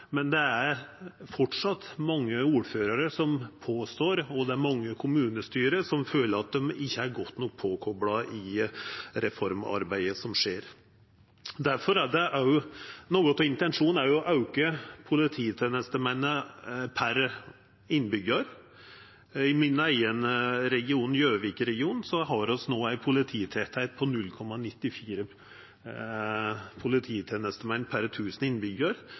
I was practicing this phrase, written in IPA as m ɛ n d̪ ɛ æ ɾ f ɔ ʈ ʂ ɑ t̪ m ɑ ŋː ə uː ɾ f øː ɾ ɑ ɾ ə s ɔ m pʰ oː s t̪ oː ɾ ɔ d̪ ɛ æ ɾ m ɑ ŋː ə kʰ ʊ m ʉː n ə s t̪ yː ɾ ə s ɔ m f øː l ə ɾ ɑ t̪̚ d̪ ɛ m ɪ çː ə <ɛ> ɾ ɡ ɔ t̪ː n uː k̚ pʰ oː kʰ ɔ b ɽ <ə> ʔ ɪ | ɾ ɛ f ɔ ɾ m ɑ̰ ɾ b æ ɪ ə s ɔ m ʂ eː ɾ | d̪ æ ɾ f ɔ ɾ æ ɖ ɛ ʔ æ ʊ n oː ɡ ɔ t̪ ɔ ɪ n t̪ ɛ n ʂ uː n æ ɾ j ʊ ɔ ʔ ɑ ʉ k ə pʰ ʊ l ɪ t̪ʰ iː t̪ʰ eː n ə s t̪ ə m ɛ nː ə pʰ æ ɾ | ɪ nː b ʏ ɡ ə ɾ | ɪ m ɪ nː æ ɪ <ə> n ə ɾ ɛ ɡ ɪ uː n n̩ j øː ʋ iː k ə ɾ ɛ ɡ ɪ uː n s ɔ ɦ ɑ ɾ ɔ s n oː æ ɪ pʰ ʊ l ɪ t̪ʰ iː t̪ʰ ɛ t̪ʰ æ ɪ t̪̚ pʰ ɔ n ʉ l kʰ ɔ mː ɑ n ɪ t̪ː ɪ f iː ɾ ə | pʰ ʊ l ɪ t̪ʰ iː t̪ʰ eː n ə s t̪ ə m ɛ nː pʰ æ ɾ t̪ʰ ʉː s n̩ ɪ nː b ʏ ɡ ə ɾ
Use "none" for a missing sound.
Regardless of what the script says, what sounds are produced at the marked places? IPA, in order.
æ, ɑ, ə

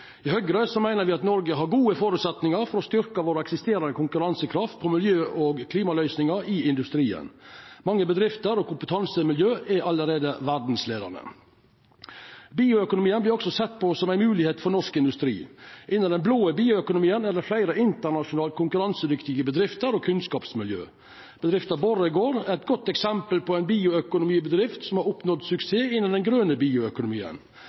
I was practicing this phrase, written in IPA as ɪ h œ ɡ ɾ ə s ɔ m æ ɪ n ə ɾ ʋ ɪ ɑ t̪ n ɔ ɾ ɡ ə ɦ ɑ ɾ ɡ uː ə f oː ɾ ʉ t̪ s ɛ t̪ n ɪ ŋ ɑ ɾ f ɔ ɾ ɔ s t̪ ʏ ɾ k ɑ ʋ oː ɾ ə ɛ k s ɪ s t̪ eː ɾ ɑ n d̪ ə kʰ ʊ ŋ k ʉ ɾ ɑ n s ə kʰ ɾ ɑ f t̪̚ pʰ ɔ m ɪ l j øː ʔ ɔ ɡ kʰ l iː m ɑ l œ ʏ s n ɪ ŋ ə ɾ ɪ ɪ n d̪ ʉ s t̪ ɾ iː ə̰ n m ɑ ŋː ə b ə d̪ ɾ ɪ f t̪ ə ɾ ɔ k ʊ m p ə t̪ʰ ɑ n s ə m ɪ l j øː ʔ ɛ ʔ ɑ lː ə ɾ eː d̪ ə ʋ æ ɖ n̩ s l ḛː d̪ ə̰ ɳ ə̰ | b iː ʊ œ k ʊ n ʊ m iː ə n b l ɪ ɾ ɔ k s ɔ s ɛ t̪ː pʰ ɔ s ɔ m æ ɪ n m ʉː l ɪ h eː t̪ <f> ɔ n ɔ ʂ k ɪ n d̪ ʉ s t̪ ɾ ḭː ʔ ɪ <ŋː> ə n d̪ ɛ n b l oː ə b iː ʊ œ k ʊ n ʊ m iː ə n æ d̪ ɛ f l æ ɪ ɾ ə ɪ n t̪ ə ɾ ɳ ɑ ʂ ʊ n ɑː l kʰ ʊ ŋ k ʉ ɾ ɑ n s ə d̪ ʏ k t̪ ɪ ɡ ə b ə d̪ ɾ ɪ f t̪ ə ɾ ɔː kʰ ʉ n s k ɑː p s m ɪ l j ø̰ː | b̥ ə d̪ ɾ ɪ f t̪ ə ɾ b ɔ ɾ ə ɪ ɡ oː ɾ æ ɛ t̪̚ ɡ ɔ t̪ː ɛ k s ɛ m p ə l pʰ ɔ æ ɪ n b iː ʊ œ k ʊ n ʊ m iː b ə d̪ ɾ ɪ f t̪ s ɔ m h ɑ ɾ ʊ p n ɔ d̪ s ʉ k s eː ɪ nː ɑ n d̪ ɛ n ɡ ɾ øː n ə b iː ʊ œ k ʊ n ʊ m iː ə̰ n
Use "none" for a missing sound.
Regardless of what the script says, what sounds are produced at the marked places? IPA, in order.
f, nː

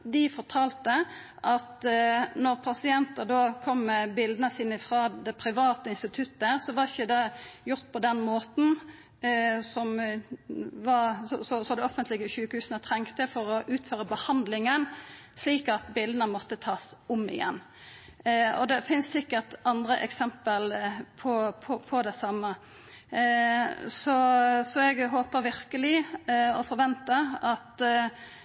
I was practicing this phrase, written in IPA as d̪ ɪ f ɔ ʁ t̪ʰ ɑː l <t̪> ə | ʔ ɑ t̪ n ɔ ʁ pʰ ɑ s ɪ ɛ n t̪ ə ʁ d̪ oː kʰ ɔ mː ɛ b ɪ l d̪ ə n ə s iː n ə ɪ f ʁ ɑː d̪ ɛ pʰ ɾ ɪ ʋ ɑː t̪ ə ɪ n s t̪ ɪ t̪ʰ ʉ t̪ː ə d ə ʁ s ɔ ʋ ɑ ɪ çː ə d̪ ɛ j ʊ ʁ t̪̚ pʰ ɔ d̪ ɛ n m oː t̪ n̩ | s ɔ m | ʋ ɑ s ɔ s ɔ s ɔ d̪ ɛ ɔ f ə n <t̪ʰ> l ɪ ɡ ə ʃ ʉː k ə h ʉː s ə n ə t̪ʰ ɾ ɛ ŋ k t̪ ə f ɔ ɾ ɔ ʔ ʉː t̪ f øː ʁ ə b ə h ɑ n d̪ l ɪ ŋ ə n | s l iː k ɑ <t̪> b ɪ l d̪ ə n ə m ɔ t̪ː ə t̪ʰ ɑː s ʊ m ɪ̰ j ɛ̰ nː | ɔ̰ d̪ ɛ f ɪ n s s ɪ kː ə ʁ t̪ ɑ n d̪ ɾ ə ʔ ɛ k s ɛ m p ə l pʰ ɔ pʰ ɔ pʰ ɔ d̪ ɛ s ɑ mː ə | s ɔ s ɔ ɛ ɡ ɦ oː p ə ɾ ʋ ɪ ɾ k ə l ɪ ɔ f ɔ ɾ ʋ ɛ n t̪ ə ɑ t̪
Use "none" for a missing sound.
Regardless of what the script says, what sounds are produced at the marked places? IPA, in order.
t̪, t̪, t̪

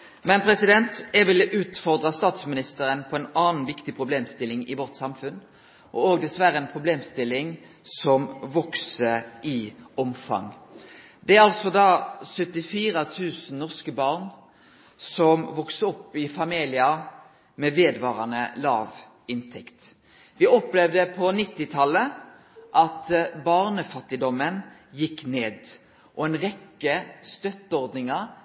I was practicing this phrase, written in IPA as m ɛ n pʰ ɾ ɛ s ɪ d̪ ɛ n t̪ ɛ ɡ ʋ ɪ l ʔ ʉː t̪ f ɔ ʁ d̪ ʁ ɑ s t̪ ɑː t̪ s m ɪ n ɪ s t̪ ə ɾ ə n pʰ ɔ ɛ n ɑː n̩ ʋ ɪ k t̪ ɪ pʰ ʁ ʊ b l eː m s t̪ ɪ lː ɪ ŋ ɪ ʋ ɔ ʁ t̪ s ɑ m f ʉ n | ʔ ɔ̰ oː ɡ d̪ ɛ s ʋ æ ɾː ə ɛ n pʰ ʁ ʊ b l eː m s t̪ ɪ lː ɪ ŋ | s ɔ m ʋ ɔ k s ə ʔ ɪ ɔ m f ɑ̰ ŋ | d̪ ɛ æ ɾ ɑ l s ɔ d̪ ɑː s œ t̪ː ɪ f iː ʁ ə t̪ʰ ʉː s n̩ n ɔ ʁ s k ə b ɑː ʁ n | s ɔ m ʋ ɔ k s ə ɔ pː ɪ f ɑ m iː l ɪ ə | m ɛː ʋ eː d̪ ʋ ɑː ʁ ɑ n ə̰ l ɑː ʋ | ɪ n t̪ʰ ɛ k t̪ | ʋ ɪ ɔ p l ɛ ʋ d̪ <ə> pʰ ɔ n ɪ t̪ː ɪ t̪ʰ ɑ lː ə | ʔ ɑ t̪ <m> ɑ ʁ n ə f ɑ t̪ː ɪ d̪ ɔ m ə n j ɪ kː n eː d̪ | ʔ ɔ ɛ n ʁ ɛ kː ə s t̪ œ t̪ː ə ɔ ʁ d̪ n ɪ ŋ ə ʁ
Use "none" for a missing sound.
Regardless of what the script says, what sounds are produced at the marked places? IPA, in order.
ə, b

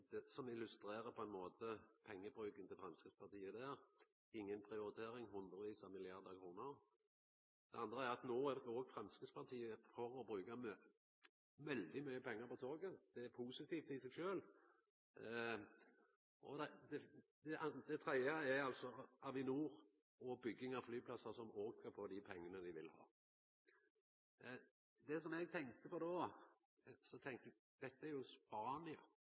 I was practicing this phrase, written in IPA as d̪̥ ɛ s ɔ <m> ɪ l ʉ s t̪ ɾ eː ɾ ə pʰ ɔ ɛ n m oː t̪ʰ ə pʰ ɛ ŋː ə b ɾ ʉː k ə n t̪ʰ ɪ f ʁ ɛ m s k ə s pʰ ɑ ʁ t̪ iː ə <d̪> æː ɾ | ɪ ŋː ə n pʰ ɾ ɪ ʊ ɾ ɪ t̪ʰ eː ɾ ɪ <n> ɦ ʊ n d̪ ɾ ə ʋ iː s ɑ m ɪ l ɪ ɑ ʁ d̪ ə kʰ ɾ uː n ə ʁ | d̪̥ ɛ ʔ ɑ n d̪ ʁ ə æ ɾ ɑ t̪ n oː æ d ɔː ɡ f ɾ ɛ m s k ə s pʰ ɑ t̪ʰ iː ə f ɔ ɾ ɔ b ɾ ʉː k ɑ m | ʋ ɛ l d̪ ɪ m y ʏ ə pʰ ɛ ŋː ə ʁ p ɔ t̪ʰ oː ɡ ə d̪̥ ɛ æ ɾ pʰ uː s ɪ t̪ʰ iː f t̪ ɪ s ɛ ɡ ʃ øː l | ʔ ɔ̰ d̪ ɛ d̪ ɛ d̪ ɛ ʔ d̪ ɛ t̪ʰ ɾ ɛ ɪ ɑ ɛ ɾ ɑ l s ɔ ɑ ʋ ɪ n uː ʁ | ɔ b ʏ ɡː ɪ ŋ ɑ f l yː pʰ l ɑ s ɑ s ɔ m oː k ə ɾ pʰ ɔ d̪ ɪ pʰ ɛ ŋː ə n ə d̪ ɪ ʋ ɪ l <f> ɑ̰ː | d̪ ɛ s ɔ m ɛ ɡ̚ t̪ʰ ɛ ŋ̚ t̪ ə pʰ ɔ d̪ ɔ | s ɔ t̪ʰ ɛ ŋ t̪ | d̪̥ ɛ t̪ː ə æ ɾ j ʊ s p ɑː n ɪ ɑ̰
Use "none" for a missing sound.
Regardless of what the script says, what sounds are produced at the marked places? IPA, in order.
m, d̪, ŋ, h

